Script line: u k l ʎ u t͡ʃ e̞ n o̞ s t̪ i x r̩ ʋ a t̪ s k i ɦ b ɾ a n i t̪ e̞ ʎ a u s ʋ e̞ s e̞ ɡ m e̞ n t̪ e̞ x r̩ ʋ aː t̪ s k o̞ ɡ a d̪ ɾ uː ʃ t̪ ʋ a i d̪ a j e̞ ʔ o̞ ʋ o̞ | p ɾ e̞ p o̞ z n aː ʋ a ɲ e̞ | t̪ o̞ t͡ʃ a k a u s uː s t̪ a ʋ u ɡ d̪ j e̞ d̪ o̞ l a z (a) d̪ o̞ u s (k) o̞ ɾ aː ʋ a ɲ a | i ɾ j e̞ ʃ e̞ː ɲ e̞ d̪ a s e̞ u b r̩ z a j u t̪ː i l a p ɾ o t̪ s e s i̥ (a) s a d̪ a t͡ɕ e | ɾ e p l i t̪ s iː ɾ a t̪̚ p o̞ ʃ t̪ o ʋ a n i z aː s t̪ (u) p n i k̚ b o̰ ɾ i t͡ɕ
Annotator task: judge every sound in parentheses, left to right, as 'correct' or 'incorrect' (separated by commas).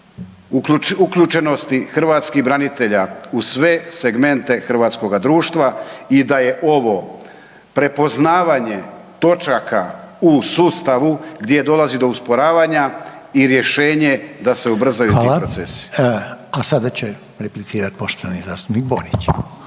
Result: incorrect, incorrect, correct, correct